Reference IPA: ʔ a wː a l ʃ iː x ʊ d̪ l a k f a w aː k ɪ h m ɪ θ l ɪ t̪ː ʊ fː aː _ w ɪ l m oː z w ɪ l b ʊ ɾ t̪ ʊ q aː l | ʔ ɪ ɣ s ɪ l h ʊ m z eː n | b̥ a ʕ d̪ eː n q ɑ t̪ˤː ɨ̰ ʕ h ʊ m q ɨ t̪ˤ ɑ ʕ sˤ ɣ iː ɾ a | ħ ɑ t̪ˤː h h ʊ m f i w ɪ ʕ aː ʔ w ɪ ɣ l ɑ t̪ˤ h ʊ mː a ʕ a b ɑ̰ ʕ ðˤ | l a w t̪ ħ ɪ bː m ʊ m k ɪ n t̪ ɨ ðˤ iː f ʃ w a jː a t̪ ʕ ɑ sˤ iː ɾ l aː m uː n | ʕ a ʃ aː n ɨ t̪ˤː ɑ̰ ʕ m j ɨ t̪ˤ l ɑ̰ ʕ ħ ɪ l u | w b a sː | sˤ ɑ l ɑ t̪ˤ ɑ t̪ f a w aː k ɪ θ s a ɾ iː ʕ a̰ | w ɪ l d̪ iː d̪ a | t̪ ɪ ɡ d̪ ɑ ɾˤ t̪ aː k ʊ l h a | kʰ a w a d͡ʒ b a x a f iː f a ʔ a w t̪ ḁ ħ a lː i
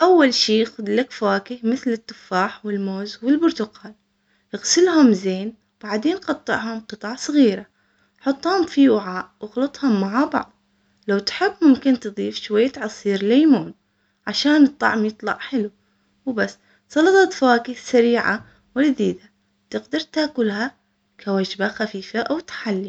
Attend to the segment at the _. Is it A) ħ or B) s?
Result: A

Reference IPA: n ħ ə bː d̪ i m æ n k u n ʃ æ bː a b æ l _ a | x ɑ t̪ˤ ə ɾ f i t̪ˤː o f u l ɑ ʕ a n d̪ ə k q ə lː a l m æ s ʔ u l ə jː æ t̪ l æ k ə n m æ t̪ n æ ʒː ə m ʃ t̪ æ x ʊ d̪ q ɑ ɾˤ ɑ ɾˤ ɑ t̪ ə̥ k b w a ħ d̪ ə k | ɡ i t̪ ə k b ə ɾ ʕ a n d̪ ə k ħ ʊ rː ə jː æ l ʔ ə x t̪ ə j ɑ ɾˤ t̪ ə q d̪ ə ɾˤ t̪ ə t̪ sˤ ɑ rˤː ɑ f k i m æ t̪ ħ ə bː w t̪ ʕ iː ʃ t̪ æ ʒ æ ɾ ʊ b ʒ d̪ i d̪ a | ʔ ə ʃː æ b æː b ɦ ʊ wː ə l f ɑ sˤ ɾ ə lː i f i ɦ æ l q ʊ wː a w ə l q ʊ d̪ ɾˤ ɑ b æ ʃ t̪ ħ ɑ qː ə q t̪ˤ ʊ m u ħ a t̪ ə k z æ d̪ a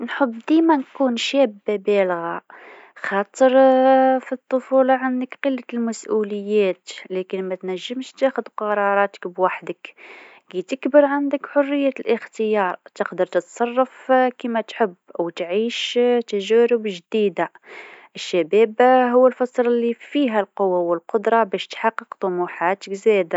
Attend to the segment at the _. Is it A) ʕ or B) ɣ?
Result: B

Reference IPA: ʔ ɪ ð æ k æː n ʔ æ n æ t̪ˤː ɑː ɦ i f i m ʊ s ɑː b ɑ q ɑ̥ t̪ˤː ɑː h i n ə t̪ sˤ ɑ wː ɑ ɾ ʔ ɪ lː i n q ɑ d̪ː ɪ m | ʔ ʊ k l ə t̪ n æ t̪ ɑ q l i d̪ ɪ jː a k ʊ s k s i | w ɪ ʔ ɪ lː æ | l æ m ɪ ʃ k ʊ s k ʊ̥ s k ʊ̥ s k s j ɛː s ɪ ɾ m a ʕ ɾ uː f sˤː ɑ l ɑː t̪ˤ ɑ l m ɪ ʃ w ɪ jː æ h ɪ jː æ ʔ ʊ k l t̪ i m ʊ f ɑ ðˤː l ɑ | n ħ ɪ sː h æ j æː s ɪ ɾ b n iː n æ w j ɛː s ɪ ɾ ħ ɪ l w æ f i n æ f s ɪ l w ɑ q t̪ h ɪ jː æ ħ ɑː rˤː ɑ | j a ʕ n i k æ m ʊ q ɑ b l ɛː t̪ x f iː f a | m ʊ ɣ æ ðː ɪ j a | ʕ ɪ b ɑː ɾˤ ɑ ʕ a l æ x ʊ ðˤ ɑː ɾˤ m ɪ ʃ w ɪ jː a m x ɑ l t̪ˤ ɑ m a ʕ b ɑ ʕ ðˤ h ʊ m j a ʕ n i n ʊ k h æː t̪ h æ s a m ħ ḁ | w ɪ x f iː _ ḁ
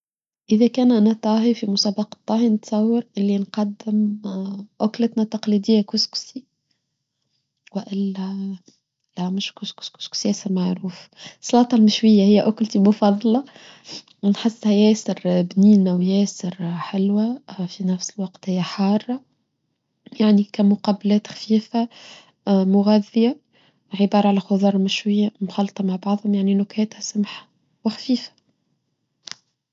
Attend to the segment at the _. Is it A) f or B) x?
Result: A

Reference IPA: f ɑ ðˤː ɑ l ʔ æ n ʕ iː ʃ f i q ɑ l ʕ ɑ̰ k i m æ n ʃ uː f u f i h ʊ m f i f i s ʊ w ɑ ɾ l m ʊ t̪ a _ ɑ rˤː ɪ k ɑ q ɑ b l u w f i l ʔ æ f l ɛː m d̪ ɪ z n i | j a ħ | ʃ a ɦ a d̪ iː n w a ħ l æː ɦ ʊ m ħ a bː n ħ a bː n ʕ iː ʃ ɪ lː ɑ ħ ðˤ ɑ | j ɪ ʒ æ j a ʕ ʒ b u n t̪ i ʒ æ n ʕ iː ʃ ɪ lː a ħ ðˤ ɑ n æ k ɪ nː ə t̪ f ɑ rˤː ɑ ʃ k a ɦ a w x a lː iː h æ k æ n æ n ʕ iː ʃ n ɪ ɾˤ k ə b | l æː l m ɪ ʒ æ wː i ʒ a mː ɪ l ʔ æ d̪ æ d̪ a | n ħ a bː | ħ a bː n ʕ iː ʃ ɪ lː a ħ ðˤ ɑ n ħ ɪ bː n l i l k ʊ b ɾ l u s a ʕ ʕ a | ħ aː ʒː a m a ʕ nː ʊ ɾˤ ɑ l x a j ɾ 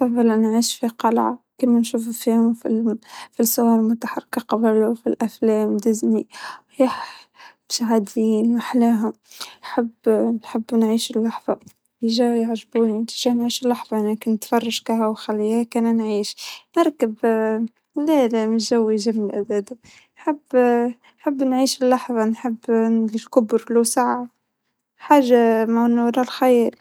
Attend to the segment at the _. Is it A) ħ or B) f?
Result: A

